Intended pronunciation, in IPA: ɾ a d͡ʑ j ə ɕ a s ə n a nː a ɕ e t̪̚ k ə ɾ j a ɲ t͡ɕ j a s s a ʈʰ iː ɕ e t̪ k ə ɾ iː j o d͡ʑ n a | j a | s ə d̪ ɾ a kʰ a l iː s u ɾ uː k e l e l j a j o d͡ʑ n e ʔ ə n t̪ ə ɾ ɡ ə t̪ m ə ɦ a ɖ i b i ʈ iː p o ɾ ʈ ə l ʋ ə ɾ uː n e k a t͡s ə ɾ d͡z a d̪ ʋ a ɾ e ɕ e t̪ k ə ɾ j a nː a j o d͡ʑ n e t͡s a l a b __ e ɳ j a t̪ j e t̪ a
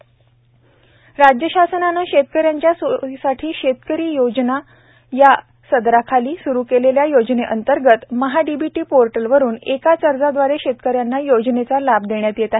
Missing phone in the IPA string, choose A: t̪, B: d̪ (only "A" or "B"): B